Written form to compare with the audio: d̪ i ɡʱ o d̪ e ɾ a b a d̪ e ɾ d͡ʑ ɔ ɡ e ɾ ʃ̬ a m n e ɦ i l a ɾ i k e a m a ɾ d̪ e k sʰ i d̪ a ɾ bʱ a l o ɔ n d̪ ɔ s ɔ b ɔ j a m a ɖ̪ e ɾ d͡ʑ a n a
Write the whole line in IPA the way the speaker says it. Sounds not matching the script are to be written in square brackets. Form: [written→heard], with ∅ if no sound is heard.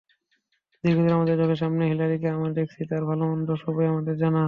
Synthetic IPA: d̪ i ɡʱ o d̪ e ɾ a [b→m] a d̪ e ɾ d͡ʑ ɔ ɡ e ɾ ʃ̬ a m n e ɦ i l a ɾ i k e a m a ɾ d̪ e k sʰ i [d̪→t̪] a ɾ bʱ a l o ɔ n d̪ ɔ [s→ʃ] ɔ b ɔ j a m a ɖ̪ e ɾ d͡ʑ a n a